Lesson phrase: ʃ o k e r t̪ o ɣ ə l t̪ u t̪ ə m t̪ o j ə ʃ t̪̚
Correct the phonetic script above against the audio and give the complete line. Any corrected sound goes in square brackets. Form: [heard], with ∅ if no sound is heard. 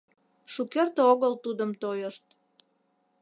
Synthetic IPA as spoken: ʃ [u] k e r t̪ o ɣ ə l t̪ u [d̪] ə m t̪ o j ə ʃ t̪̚